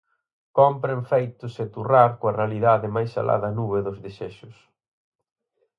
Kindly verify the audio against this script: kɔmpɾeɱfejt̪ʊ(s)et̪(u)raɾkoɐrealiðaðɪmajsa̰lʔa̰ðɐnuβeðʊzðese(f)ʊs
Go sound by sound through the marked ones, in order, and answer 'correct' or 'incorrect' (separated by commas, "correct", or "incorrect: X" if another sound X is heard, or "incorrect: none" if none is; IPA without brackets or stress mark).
correct, correct, incorrect: ʃ